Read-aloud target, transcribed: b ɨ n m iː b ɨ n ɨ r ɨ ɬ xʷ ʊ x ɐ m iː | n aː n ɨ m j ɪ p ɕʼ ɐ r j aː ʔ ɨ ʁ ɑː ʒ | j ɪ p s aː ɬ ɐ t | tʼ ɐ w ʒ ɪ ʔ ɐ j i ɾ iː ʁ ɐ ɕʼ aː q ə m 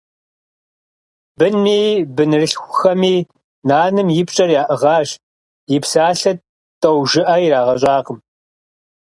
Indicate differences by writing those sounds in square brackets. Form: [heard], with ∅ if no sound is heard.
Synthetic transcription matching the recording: b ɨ n m iː b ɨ n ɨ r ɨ ɬ xʷ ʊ x ɐ m iː | n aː n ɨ m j ɪ p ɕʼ ɐ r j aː ʔ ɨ ʁ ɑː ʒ | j ɪ p s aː ɬ ɐ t | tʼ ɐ w ʒ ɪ ʔ ɐ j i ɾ [aː] ʁ ɐ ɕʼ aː q ə m